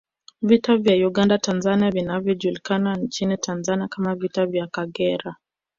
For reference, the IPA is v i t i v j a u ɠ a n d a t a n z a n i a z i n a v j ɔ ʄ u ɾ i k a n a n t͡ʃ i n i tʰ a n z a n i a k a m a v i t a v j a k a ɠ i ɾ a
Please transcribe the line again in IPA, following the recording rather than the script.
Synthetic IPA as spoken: v i t a v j a u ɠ a n d a t a n z a n i a v i n a v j ɔ ʄ u l i k a n a n t͡ʃ i n i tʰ a n z a n i a k a m a v i t a v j a k a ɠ ɛ ɾ a